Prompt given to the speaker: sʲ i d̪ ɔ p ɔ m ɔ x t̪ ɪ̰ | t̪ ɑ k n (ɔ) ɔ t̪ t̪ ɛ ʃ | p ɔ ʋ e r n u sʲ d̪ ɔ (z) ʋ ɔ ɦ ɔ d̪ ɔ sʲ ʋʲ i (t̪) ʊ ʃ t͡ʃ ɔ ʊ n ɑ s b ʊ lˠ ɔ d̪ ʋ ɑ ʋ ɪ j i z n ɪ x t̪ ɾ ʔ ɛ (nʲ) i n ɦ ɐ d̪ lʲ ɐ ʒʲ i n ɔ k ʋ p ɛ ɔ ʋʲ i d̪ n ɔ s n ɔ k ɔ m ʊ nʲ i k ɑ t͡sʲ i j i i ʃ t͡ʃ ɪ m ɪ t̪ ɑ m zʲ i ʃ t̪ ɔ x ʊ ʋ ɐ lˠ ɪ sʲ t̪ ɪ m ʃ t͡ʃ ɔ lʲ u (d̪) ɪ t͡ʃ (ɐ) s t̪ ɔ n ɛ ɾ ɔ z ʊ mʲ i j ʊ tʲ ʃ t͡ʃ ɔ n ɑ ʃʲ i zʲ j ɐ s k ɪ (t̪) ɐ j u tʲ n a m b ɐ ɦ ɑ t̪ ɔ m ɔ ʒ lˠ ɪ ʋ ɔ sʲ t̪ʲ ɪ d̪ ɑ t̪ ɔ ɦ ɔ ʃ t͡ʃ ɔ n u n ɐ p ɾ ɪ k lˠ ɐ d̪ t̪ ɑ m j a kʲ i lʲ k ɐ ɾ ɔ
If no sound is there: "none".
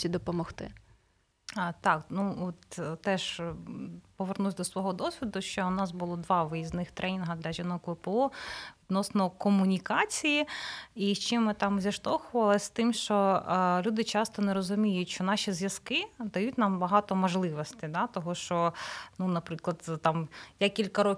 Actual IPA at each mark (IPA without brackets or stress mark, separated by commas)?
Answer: u, s, d̪, nʲ, d̪, ɑ, d̪